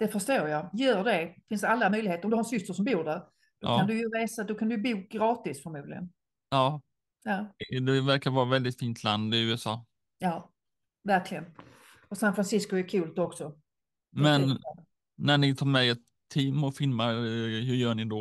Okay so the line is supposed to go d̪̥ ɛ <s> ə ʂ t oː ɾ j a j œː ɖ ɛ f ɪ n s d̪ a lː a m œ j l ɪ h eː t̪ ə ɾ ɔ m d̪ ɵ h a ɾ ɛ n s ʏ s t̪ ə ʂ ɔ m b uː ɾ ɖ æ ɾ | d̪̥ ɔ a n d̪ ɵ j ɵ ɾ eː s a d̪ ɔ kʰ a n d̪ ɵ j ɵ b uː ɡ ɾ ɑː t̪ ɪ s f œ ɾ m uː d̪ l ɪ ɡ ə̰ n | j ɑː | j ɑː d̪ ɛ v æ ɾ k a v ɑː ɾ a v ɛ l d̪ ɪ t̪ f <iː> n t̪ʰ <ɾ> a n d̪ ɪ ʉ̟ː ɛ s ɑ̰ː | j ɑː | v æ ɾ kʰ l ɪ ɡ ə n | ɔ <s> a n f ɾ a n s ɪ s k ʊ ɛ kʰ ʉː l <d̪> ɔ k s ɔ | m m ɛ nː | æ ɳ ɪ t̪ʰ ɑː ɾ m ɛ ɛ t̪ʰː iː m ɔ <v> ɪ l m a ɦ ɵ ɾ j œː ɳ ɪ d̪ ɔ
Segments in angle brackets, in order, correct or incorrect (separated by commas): incorrect, correct, incorrect, correct, incorrect, incorrect